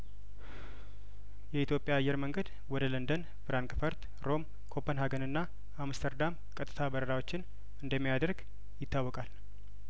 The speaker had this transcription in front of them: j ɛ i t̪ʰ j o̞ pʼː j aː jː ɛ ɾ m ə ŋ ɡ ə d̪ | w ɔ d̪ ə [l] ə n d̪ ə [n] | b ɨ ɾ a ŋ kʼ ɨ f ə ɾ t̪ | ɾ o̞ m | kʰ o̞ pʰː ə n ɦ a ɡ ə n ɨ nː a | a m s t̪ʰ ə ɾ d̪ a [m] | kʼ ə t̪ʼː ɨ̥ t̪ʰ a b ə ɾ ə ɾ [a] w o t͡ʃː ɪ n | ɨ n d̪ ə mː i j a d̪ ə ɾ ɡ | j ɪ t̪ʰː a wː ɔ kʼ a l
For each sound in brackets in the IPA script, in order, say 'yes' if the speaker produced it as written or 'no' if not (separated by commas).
yes, yes, yes, yes